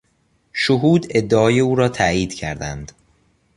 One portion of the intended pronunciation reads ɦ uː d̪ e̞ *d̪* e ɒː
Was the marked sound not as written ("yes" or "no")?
yes